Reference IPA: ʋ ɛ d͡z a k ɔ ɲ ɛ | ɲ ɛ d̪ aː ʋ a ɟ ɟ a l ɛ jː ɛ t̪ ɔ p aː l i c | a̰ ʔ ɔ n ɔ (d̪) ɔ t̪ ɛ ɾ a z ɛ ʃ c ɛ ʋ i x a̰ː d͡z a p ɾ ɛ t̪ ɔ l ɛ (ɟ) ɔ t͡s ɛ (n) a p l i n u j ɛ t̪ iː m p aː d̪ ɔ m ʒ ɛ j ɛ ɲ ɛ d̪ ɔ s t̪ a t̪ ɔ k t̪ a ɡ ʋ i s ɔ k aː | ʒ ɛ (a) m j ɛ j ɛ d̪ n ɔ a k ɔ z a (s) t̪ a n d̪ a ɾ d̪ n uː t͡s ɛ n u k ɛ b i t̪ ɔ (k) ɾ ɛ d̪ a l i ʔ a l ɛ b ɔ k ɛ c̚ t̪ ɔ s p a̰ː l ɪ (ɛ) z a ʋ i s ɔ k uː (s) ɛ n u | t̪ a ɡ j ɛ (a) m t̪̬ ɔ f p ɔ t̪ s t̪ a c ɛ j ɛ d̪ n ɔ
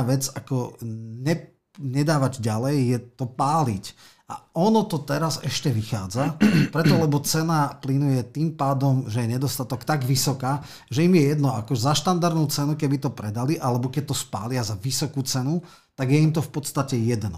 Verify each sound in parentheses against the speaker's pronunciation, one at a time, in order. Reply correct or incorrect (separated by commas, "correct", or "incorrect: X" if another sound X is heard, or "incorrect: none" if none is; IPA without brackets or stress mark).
incorrect: t̪, incorrect: b, correct, incorrect: i, incorrect: ʃ, incorrect: p, incorrect: a, incorrect: t͡s, incorrect: i